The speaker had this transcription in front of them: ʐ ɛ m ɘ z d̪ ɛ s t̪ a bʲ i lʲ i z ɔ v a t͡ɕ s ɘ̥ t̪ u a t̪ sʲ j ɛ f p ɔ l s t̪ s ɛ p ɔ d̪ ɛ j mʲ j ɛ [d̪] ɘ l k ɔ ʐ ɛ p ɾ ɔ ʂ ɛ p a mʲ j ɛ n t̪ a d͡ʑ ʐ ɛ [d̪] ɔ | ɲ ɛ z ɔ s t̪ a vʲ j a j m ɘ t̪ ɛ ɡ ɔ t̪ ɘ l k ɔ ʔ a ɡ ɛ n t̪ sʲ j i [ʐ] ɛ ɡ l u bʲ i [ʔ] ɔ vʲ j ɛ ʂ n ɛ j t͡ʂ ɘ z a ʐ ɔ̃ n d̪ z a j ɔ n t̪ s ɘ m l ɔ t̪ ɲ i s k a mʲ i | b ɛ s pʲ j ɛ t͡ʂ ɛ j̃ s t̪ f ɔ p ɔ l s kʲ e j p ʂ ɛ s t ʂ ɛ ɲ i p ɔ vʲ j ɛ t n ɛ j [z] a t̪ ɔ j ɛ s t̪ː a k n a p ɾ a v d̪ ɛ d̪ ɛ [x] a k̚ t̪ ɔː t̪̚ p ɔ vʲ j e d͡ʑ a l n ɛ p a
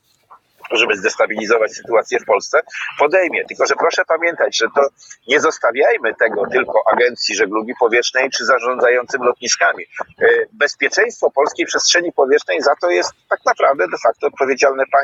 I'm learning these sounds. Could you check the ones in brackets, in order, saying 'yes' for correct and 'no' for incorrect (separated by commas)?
no, no, yes, no, yes, no